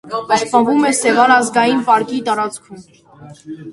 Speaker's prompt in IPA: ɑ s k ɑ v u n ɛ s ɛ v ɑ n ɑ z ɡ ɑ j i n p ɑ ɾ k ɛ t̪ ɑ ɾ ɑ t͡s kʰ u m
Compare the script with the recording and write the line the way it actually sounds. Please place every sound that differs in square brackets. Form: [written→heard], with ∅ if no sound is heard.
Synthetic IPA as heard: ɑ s [k→p] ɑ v u [n→m] ɛ s ɛ v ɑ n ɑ z ɡ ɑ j i n p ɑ ɾ k [ɛ→i] t̪ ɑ ɾ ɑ t͡s kʰ u m

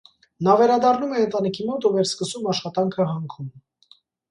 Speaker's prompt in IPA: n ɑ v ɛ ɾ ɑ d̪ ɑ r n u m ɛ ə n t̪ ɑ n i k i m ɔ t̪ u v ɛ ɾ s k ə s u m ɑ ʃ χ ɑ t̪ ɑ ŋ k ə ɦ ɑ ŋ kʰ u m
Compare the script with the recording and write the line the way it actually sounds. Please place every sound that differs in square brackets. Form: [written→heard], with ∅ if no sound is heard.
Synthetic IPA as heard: n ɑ v ɛ ɾ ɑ d̪ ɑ r n u m ɛ ə n t̪ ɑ n i [k→kʰ] i m ɔ t̪ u v ɛ ɾ s k ə s u m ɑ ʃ χ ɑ t̪ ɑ ŋ [k→kʰ] ə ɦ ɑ ŋ kʰ u m

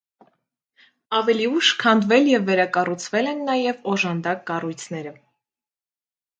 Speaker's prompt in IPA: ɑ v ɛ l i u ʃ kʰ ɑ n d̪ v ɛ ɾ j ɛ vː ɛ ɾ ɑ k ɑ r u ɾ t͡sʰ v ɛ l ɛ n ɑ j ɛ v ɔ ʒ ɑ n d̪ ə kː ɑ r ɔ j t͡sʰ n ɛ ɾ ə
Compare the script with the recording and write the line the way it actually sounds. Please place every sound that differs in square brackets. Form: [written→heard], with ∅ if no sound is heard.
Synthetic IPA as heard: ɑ v ɛ l i u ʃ kʰ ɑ n d̪ v ɛ [ɾ→l] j ɛ vː ɛ ɾ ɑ k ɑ r u [ɾ→∅] t͡sʰ v ɛ l ɛ [n→nː] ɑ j ɛ v ɔ ʒ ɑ n d̪ [ə→ɑ] kː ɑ r [ɔ→u] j t͡sʰ n ɛ ɾ ə

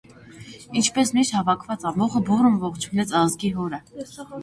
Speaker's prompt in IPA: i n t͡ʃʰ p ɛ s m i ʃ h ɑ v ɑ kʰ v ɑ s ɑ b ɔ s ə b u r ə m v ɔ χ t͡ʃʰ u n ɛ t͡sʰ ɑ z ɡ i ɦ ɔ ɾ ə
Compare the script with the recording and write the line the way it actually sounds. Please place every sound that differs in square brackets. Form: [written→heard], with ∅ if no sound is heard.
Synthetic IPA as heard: i n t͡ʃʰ p ɛ s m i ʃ h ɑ v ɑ kʰ v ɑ [s→t͡s] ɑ [b→m] ɔ [s→χ] ə b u r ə m v ɔ χ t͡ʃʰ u n ɛ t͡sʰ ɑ z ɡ i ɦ ɔ ɾ ə

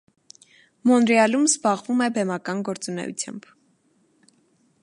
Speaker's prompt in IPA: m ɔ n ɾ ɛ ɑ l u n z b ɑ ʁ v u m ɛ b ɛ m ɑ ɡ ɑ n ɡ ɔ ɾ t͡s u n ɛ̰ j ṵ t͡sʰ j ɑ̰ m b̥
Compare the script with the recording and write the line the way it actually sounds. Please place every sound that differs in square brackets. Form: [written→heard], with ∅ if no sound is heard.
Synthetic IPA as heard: m ɔ n ɾ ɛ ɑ l u [n→m] z b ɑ ʁ v u m ɛ b ɛ m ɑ [ɡ→k] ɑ n ɡ ɔ ɾ t͡s u n ɛ̰ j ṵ t͡sʰ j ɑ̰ m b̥

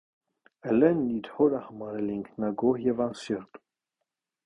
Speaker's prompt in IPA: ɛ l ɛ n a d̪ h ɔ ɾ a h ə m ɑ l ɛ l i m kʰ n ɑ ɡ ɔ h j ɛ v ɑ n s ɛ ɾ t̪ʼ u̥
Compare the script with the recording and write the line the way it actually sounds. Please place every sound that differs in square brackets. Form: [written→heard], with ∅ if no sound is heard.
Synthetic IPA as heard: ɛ l ɛ n [a→i] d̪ h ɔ ɾ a h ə m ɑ [l→ɾ] ɛ l i [m→ŋ] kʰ n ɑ ɡ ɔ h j ɛ v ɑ n s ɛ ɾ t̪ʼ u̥

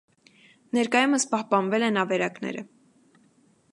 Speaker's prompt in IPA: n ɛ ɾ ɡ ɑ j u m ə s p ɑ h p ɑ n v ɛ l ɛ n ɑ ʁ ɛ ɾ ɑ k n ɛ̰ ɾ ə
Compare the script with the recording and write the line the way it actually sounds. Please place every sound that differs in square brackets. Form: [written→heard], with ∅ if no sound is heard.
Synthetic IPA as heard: n ɛ ɾ [ɡ→k] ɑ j u m ə s p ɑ h p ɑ n v ɛ l ɛ n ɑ [ʁ→v] ɛ ɾ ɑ k n ɛ̰ ɾ ə

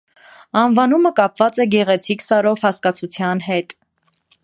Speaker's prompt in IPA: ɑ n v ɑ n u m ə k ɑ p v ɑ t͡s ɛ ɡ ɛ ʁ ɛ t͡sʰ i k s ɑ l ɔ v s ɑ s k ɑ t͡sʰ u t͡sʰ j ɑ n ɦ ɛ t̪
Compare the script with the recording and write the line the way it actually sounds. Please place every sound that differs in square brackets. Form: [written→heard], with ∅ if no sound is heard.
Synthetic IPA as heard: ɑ n v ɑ n u m ə k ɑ p v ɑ t͡s ɛ ɡ ɛ ʁ ɛ t͡sʰ i k s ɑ [l→ɾ] ɔ v [s→h] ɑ s k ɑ t͡sʰ u t͡sʰ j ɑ n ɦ ɛ t̪

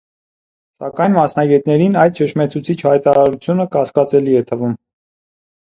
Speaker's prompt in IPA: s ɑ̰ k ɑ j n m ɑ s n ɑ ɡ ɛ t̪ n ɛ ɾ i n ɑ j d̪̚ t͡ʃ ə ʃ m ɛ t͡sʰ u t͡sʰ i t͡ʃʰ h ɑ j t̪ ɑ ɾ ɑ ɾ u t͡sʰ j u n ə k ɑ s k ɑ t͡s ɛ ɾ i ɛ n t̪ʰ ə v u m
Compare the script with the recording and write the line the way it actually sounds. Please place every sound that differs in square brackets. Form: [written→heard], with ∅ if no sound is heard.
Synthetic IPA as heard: s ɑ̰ k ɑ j n m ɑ s n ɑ ɡ ɛ t̪ n ɛ ɾ i n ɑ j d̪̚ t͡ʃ ə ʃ m ɛ t͡sʰ u t͡sʰ i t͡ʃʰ h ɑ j t̪ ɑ ɾ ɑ ɾ u t͡sʰ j u n ə k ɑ s k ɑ t͡s ɛ [ɾ→l] i ɛ [n→∅] t̪ʰ ə v u m

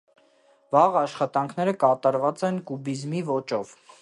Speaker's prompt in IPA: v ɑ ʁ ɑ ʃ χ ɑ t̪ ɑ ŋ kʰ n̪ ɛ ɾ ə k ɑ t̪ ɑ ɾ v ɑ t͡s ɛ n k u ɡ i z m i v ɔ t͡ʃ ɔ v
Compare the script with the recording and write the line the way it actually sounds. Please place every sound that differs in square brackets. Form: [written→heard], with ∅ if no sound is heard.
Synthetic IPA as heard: v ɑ ʁ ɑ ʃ χ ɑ t̪ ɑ ŋ kʰ n̪ ɛ ɾ ə k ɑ t̪ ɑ ɾ v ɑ t͡s ɛ n k u [ɡ→b] i z m i v ɔ t͡ʃ ɔ v

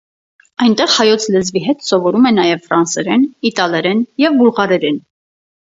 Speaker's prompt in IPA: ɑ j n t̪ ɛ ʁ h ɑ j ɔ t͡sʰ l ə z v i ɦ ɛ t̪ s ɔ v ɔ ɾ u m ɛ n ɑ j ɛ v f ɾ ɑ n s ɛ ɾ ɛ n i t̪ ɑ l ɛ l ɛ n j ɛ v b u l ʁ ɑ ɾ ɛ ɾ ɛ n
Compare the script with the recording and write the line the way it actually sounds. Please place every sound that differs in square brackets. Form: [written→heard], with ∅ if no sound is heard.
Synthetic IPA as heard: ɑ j n t̪ ɛ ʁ h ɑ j ɔ t͡sʰ l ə z v i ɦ ɛ t̪ s ɔ v ɔ ɾ u m ɛ n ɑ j ɛ v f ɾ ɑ n s ɛ ɾ ɛ n i t̪ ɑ l ɛ [l→ɾ] ɛ n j ɛ v b u l ʁ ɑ ɾ ɛ ɾ ɛ n

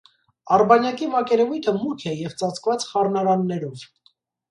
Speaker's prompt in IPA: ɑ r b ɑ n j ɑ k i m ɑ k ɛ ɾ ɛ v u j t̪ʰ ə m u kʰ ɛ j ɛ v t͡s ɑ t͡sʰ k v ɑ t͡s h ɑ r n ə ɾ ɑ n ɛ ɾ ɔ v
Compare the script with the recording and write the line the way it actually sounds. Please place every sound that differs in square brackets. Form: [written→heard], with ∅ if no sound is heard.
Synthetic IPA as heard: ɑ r b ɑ n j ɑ k i m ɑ k ɛ ɾ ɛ v u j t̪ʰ ə m u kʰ ɛ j ɛ v t͡s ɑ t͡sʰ k v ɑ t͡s [h→χ] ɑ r n [ə→ɑ] ɾ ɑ [n→nː] ɛ ɾ ɔ v

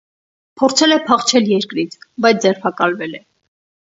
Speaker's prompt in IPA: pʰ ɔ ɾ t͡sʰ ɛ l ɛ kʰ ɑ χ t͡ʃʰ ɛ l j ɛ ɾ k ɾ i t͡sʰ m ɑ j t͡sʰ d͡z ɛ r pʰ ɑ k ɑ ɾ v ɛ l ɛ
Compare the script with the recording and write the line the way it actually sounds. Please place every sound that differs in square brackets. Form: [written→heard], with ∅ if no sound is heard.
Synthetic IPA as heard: pʰ ɔ ɾ t͡sʰ ɛ l ɛ [kʰ→pʰ] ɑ χ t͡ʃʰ ɛ l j ɛ ɾ k ɾ i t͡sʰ [m→b] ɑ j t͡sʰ d͡z ɛ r pʰ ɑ k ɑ [ɾ→l] v ɛ l ɛ

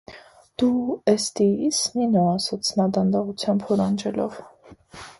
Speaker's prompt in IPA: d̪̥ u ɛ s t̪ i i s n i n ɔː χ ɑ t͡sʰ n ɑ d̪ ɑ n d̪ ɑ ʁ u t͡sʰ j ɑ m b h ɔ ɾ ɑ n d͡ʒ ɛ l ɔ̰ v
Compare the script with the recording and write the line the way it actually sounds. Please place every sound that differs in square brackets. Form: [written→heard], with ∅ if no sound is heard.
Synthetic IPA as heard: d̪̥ u ɛ s t̪ i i s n i n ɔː [χ→s] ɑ t͡sʰ n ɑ d̪ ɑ n d̪ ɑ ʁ u t͡sʰ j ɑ m b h ɔ ɾ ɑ n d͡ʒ ɛ l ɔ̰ v

